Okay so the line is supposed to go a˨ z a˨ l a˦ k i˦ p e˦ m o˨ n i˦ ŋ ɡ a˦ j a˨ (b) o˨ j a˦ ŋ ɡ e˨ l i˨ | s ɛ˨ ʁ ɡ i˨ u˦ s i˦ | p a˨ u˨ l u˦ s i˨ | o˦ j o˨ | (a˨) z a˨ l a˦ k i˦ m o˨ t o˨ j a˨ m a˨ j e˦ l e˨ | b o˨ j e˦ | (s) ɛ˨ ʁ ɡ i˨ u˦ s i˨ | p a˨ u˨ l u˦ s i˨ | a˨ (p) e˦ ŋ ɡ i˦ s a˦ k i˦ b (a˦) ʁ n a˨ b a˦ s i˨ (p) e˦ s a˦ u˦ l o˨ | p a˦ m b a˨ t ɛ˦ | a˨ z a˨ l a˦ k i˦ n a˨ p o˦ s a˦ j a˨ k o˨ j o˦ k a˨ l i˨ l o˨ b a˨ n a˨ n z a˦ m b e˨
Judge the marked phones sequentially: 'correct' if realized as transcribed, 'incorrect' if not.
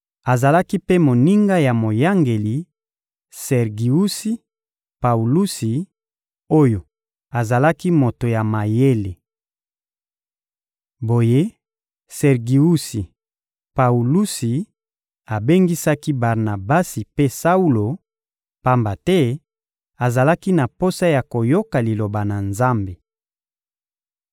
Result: incorrect: m, correct, correct, incorrect: b, incorrect: a˨, correct

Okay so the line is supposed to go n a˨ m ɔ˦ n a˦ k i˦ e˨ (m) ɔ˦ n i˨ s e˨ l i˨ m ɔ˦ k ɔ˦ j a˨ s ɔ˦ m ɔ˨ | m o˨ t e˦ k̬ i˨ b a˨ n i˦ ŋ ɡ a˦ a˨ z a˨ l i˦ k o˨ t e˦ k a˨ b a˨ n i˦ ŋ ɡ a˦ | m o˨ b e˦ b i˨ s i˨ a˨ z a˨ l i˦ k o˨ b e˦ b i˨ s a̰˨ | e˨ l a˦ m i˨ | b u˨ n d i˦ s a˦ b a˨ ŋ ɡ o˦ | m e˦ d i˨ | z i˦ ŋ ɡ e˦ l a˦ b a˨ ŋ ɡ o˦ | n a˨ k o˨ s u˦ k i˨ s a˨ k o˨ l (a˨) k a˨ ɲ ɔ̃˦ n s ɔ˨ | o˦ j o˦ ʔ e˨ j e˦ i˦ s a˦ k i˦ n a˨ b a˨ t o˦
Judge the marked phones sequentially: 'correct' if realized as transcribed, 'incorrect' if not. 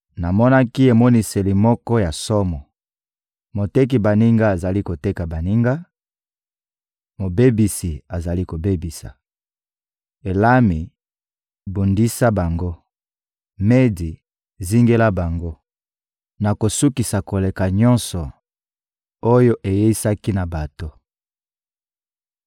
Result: correct, incorrect: e˨

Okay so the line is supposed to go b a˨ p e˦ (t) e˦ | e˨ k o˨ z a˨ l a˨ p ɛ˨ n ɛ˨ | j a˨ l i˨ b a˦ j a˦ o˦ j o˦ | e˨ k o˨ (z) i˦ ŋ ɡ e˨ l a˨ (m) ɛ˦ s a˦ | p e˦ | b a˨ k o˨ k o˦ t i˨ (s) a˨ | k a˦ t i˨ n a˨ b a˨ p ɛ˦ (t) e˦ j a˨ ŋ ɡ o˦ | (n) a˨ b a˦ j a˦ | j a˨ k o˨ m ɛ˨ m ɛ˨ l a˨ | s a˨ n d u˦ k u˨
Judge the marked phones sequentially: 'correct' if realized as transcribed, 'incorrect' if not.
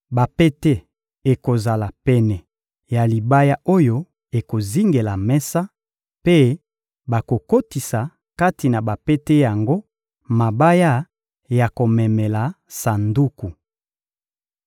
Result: correct, correct, correct, correct, correct, incorrect: m

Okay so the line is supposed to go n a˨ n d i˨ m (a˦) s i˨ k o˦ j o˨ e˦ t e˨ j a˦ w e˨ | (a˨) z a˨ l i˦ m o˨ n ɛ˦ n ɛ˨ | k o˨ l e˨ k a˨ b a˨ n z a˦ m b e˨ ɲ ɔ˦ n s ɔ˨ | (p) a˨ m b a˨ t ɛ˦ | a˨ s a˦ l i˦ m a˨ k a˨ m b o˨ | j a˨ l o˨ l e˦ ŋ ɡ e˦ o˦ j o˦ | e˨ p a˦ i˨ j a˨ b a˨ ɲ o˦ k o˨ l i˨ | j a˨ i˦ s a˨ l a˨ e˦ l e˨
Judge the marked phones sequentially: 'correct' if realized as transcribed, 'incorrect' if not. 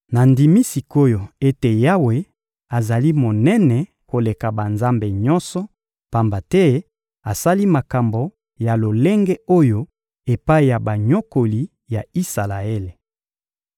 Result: incorrect: i˦, correct, correct

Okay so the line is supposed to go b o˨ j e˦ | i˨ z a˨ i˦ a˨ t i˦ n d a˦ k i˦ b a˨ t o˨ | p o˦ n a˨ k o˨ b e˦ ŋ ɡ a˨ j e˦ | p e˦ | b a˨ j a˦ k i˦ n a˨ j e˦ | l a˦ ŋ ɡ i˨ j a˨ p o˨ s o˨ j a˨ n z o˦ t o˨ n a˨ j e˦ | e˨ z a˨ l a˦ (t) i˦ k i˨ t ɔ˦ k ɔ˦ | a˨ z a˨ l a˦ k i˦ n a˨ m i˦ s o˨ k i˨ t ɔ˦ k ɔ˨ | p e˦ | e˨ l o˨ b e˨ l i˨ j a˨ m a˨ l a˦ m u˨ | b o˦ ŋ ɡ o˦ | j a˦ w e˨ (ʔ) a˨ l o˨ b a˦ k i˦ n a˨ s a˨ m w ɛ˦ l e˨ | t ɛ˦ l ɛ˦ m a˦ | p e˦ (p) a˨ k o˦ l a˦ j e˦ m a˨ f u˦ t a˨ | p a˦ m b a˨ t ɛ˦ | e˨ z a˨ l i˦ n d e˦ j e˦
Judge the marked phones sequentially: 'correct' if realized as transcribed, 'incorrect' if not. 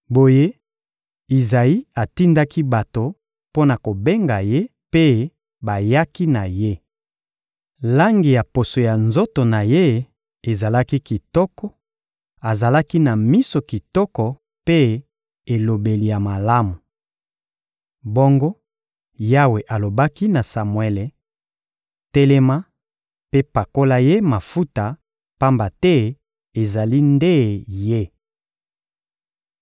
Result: incorrect: k, correct, correct

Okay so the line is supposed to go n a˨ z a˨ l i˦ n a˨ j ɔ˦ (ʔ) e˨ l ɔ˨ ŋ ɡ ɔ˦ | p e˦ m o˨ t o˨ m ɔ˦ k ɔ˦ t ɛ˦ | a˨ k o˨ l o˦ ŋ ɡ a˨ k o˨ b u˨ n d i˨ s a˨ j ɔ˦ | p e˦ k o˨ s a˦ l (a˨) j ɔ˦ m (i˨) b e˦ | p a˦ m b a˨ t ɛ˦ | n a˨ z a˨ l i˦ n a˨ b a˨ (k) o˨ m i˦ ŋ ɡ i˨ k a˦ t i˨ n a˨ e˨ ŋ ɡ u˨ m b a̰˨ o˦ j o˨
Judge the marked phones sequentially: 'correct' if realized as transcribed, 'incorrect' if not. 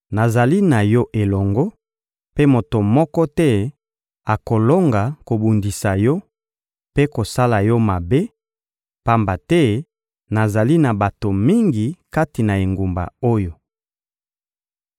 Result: correct, correct, incorrect: a˨, incorrect: t

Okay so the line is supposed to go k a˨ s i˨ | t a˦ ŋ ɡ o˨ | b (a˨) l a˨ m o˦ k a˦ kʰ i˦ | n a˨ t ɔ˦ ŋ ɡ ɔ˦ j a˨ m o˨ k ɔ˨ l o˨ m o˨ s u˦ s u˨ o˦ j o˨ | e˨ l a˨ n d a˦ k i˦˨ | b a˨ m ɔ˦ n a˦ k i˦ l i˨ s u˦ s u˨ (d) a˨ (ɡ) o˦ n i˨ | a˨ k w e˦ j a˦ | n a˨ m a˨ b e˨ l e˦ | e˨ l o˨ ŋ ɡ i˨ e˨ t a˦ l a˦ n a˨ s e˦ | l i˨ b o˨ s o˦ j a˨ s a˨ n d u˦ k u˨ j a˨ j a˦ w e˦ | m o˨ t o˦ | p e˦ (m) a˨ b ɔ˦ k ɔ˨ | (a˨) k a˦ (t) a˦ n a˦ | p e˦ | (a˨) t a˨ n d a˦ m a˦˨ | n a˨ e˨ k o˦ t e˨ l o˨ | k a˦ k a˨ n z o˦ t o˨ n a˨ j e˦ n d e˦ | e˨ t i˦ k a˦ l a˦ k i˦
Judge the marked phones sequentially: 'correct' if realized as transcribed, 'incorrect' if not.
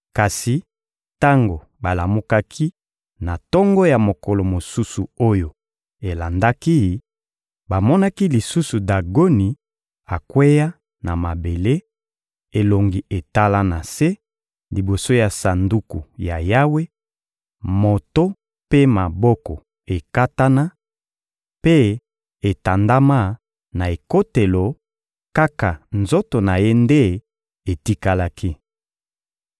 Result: correct, correct, correct, correct, incorrect: e˨, correct, incorrect: e˨

